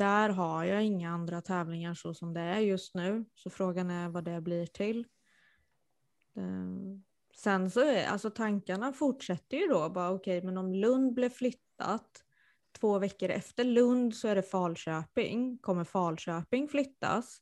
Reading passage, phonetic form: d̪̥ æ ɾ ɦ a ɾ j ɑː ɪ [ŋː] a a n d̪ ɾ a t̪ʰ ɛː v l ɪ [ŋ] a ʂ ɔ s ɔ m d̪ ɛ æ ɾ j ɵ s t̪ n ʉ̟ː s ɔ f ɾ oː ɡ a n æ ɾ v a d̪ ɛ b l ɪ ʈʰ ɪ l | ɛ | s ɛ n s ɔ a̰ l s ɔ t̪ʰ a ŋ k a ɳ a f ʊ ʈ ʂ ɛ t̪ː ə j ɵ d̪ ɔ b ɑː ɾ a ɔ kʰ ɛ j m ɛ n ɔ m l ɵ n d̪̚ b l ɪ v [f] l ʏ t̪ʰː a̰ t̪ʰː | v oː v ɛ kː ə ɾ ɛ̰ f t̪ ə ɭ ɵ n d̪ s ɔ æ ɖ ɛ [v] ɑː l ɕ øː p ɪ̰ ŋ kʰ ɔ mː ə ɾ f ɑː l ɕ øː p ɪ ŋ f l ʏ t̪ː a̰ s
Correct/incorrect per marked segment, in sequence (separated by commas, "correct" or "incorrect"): correct, correct, correct, incorrect